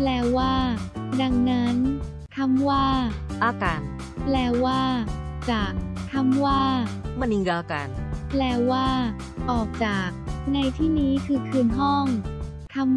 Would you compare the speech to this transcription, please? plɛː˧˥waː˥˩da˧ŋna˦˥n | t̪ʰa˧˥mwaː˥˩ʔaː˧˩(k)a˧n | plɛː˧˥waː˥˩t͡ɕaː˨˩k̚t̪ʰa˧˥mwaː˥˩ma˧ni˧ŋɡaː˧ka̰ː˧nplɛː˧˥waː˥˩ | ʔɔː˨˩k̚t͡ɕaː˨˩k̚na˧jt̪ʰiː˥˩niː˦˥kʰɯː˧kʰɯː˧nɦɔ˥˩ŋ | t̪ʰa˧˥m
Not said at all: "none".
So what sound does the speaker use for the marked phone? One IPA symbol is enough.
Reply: k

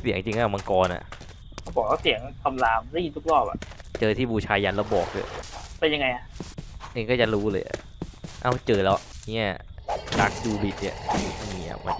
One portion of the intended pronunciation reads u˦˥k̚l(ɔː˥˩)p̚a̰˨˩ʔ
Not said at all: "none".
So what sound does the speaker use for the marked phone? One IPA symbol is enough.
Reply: ɔː˥˩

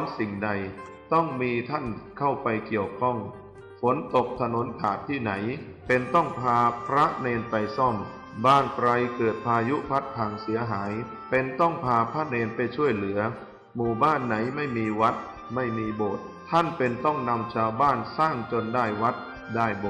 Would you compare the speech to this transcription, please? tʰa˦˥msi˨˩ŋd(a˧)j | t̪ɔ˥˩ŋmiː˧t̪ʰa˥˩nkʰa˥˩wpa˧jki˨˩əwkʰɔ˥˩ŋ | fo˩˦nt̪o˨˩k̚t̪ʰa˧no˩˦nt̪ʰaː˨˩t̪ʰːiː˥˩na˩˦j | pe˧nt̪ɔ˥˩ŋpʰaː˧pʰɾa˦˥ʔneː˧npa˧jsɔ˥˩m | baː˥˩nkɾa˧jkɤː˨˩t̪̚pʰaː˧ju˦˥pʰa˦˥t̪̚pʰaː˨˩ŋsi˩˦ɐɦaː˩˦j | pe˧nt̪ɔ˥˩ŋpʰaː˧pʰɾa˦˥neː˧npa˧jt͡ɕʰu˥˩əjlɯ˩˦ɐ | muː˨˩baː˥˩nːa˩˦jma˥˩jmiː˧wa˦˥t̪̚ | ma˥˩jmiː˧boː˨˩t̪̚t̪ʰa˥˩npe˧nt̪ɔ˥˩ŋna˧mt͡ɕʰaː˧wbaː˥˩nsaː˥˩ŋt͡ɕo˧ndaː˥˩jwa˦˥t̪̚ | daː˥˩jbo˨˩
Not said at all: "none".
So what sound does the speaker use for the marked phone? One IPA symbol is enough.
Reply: a˧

